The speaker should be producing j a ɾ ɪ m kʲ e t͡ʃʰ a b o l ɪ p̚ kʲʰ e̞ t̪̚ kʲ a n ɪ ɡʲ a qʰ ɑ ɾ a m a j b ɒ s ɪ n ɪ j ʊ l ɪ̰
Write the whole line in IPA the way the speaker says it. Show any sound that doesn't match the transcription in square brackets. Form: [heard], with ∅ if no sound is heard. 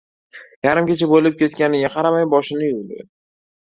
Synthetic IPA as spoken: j a ɾ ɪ m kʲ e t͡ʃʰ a b o l ɪ p̚ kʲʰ e̞ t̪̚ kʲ a n ɪ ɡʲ a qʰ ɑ ɾ a m a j b ɒ [ʃ] ɪ n ɪ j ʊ l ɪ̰